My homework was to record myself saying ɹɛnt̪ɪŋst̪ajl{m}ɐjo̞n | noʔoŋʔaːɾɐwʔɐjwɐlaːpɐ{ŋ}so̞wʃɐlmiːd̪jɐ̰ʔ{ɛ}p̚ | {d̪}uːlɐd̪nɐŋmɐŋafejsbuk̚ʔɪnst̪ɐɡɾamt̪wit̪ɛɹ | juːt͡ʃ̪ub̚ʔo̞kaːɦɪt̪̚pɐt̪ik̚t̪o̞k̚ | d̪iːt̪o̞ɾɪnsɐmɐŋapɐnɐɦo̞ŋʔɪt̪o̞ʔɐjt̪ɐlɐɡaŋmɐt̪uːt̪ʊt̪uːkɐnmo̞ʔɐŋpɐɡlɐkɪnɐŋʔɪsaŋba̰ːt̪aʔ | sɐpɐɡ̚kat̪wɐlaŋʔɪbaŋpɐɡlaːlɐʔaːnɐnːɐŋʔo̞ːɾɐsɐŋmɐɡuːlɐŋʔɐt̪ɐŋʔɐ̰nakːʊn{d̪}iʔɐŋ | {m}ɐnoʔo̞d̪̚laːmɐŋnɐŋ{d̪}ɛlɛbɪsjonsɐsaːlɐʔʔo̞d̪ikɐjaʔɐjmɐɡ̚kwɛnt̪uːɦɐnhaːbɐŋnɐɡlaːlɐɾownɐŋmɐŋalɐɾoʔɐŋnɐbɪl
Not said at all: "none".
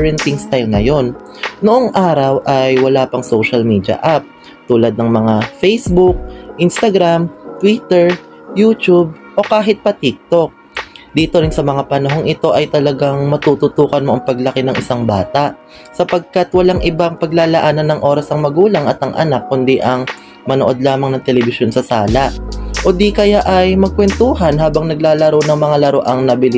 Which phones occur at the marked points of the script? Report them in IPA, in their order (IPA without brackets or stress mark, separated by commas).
n, ŋ, a, t̪, d̪, m, t̪